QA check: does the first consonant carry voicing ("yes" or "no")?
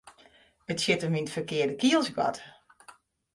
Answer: no